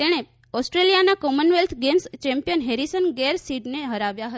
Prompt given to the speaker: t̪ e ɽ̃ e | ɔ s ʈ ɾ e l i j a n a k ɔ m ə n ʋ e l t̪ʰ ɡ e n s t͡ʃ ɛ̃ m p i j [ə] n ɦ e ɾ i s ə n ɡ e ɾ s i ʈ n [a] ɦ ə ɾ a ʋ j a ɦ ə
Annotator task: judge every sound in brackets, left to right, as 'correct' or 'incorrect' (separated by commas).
correct, incorrect